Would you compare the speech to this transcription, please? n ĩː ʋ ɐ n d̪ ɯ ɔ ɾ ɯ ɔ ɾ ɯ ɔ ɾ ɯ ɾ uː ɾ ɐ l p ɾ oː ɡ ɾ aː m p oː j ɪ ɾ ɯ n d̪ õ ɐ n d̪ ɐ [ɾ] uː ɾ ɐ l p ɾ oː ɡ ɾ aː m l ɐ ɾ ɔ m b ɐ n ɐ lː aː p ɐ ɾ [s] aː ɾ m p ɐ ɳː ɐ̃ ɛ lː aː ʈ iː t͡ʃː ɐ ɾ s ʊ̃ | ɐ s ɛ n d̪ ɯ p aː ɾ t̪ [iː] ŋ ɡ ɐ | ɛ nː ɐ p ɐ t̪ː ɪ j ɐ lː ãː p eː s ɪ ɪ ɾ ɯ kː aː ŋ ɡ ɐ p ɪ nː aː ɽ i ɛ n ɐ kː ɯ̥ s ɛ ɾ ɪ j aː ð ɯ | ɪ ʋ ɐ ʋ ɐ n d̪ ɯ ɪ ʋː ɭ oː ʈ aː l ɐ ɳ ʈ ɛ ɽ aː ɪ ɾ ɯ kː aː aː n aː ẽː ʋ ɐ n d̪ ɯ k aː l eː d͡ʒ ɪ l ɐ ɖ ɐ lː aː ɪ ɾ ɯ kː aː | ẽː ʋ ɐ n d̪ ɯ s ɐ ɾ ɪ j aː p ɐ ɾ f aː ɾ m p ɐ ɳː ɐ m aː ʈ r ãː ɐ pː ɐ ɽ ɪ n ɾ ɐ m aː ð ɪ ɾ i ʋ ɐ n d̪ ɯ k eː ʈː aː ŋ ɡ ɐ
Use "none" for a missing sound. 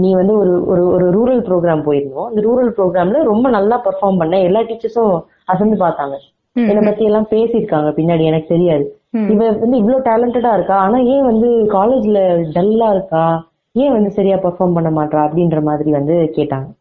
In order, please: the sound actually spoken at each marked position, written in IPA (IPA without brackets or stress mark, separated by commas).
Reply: ɾ, f, aː